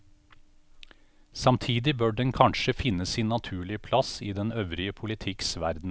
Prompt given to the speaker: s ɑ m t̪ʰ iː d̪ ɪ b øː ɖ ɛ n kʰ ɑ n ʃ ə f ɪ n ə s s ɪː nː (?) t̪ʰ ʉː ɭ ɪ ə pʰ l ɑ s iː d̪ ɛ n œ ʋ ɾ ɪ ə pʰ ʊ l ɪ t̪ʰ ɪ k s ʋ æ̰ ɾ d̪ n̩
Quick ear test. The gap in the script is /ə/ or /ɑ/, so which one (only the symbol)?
ɑ